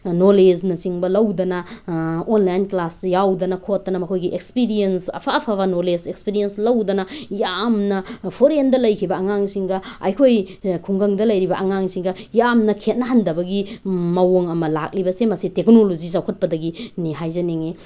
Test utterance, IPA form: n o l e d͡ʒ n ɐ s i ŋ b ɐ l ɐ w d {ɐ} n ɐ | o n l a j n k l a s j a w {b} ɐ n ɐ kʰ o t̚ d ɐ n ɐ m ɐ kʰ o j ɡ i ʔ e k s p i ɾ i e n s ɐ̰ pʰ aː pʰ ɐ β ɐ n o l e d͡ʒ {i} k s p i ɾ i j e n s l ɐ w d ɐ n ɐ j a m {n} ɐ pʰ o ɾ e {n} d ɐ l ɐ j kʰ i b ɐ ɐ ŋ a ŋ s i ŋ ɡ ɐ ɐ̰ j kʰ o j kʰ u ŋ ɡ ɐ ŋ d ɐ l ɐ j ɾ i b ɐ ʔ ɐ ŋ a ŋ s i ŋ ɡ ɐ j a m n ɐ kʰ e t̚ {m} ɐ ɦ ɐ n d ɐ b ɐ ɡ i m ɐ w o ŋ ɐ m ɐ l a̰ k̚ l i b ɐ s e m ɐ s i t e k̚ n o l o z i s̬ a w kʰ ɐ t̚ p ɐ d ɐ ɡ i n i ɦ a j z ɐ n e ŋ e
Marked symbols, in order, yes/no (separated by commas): yes, no, no, yes, yes, no